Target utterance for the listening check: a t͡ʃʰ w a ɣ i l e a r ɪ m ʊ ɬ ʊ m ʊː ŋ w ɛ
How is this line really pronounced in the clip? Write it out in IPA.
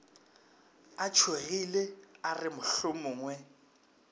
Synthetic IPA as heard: a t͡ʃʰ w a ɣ i l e a r ɪ m ʊ ɬ ʊ m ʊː ŋ w ɛ

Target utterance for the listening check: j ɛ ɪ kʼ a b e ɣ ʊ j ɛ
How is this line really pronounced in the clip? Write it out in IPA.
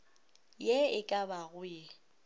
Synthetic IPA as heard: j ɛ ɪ kʼ a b a ɣ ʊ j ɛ

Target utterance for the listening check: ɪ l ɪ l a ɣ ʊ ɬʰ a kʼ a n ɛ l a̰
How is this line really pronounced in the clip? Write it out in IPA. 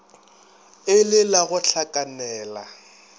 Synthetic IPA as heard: ɪ l ɪ l a ɣ ʊ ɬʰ a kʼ a n ɛː l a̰

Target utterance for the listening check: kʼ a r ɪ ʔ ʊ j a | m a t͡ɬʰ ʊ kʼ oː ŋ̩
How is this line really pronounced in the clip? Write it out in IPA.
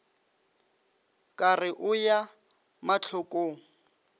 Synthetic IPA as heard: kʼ a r ɪ ʔ ʊ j a | m a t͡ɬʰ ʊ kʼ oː ŋ̩

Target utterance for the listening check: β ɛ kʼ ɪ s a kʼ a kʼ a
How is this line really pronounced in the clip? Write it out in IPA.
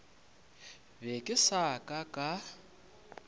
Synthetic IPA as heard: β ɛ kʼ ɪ s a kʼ a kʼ a

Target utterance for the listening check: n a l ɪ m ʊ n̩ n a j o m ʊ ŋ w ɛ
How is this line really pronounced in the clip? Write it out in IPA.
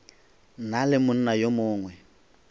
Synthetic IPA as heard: n a l ɪ m ʊ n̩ n a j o m ʊː ŋ w ɛ

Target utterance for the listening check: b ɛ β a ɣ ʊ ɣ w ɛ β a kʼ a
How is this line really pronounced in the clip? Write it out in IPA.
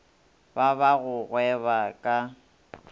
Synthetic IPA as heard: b a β a ɣ ʊ ɣ w ɛ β a kʼ a

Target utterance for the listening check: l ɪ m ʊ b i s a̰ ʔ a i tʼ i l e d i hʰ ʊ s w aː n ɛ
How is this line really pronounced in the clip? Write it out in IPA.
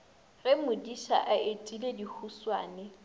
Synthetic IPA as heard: r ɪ m ʊ d i ʃ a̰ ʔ a e tʼ i l e d i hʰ u s w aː n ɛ

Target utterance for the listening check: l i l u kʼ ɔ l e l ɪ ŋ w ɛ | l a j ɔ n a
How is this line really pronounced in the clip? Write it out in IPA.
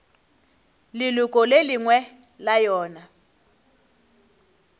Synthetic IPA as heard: l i l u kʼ ɔ l e l i ŋ w ɛ | l a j ɔː n a

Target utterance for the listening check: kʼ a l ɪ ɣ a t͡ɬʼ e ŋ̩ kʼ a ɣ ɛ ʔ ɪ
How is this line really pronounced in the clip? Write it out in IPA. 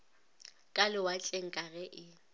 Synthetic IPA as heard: kʼ a l ɪ w a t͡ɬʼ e ŋ̩ kʼ a ɣ ɛ ʔ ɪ

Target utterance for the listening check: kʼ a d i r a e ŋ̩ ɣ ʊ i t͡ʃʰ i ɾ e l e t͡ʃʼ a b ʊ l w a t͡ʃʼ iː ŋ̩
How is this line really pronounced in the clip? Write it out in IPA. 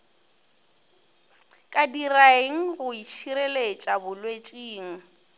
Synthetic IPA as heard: kʼ a d i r a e ŋ̩ ɣ ʊ i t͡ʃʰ i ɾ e l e t͡ʃʼ a b ʊ l w e t͡ʃʼ iː ŋ̩

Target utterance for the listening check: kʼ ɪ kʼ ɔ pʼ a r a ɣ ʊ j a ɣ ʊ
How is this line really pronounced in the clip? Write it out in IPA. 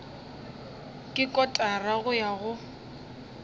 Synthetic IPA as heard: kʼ ɪ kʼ ɔ tʼ a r a ɣ ʊ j a ɣ ʊ

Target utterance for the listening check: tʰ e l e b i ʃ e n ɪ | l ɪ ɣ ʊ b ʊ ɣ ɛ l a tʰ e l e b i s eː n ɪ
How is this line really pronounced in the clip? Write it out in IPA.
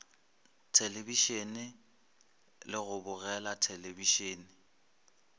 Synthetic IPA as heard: tʰ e l e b i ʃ e n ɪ | l ɪ ɣ ʊ b ʊ ɣ ɛ l a tʰ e l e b i ʃ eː n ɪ

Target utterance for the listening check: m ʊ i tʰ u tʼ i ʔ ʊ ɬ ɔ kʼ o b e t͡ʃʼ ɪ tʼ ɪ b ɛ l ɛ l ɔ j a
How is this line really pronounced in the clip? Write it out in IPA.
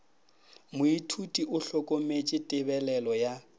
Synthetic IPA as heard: m ʊ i tʰ u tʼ i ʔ ʊ ɬ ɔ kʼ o m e t͡ʃʼ ɪ tʼ ɪ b ɛ l ɛ l ɔ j a

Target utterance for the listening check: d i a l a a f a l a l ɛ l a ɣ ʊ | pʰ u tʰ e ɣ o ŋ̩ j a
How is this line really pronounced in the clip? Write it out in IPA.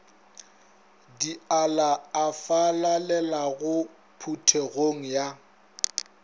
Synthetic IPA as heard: d i a l a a f a l a l ɛ l a ɣ ʊ | pʰ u tʰ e ɣ o ŋ̩ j a

